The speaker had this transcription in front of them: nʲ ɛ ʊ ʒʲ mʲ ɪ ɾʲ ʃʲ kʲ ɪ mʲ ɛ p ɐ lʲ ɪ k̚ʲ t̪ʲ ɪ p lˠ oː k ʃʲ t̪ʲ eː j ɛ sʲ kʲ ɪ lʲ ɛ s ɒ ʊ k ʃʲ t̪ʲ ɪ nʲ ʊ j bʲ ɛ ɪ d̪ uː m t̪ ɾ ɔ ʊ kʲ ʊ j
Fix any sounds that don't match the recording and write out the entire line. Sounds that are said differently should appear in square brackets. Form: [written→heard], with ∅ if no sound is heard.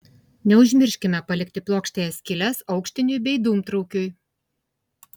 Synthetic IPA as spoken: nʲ ɛ ʊ ʒʲ mʲ ɪ ɾʲ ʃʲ kʲ ɪ mʲ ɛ p ɐ lʲ ɪ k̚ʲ t̪ʲ ɪ p lˠ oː k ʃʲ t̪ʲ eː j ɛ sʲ kʲ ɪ lʲ ɛ s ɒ ʊ k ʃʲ t̪ʲ ɪ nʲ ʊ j bʲ ɛ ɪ d̪ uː m t̪ ɾ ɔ ʊ kʲ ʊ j